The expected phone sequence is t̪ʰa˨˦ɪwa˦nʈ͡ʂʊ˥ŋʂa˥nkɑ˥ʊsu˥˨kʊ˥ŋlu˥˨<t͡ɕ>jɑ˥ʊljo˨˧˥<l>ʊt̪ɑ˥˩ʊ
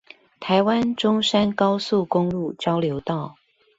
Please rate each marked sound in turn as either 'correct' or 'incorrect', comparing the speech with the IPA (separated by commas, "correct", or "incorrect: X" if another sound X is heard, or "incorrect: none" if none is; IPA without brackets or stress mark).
correct, incorrect: none